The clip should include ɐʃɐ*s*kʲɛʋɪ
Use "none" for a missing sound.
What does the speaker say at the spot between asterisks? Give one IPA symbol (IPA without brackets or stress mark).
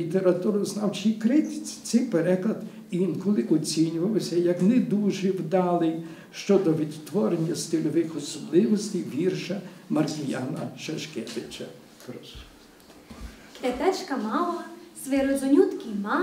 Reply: ʃ